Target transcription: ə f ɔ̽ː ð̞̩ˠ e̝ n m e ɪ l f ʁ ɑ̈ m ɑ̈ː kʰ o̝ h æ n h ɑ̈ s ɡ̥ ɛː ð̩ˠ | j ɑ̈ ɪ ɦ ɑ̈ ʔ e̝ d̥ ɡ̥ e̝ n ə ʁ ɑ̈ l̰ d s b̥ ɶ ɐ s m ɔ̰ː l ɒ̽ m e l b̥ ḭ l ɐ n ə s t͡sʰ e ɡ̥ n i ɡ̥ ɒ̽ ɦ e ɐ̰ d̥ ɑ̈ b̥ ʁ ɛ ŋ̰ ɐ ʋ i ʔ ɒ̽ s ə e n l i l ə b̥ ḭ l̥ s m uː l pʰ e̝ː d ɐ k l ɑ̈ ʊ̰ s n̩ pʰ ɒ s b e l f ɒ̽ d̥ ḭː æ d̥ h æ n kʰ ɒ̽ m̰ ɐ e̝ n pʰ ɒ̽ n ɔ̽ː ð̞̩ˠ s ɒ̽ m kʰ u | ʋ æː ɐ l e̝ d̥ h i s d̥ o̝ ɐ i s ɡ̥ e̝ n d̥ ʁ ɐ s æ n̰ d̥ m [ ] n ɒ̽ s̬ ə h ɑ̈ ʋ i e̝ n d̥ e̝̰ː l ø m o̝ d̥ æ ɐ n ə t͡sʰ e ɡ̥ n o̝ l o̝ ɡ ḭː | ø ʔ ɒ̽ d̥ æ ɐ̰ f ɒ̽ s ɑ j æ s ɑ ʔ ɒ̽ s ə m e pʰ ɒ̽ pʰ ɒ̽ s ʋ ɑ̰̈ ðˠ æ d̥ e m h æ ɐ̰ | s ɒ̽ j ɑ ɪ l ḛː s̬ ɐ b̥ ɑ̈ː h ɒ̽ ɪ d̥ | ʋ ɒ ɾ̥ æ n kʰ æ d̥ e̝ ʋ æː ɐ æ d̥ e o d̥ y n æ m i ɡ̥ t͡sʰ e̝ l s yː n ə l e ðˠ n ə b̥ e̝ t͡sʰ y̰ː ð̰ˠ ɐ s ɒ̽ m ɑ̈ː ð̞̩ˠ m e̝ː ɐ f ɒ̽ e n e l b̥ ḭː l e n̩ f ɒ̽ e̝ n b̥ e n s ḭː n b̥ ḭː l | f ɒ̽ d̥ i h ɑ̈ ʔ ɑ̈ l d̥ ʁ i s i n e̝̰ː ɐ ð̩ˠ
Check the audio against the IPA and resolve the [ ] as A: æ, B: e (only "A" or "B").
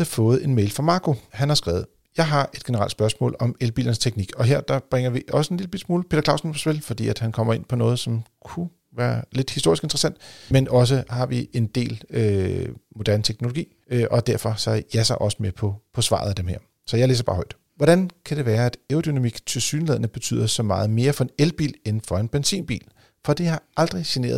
B